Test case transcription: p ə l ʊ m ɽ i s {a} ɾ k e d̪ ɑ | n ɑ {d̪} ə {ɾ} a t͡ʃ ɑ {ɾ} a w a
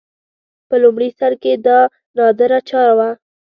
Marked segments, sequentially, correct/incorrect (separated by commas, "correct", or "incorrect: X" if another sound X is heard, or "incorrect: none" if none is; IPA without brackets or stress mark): correct, correct, correct, correct